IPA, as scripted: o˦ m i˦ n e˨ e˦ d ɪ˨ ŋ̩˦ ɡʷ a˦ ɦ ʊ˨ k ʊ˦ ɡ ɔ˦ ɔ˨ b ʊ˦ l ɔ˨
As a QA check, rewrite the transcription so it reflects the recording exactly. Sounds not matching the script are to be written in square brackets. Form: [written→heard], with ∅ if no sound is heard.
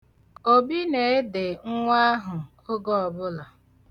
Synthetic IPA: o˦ [m→b] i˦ n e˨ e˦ d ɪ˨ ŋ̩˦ [ɡʷ→ŋʷ] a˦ ɦ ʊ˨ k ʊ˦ ɡ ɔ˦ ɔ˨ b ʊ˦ l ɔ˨